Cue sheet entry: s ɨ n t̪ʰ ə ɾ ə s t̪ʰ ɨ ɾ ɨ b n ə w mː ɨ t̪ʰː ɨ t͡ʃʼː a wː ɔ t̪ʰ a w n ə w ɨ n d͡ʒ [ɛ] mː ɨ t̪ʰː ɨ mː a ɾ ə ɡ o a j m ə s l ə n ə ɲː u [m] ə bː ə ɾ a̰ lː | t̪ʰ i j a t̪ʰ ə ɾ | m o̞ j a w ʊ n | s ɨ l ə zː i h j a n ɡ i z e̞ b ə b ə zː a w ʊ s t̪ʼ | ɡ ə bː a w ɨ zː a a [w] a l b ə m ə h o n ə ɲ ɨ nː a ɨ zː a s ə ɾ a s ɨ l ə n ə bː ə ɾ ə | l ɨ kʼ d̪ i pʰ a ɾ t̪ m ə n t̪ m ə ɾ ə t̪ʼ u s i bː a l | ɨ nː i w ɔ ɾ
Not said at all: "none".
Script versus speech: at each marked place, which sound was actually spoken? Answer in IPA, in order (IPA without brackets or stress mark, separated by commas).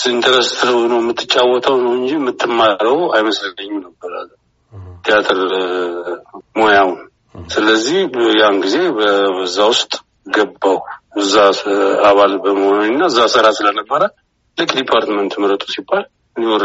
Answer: i, n, β